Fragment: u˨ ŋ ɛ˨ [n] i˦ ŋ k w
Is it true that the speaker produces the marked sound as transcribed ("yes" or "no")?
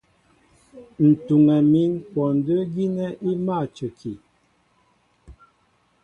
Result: no